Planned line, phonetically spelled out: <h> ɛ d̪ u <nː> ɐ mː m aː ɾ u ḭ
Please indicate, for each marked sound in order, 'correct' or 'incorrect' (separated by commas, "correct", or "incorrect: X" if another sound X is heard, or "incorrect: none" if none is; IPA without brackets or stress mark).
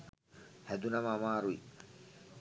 correct, incorrect: n